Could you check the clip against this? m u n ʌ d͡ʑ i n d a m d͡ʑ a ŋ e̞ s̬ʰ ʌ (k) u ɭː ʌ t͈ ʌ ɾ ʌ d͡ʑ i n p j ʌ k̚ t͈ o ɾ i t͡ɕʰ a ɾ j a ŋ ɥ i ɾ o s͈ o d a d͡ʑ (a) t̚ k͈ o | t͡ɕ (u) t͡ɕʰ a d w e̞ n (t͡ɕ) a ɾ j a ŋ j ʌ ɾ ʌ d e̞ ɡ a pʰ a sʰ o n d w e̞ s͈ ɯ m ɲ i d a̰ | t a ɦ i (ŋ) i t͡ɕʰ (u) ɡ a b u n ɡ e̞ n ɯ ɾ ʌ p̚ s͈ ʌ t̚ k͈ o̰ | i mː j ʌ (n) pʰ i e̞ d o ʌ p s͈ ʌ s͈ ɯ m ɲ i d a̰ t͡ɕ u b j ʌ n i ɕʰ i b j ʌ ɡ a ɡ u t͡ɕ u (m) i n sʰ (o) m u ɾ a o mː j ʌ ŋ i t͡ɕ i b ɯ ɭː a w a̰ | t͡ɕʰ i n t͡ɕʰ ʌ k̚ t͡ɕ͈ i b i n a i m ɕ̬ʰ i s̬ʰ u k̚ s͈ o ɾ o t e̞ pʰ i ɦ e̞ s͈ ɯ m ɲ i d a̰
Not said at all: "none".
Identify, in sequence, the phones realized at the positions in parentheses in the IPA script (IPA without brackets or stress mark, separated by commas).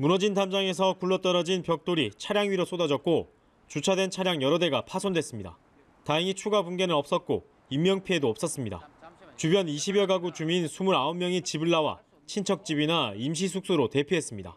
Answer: k, ʌ, u, t͡ɕʰ, ŋ, u, ŋ, m, u